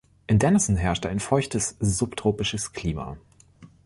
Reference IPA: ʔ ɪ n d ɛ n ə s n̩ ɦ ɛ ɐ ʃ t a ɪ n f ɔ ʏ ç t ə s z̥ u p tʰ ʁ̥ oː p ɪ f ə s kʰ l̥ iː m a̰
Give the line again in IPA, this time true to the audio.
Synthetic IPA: ʔ ɪ n d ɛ n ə s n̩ ɦ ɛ ɐ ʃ t a ɪ n f ɔ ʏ ç t ə s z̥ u p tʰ ʁ̥ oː p ɪ ʃ ə s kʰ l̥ iː m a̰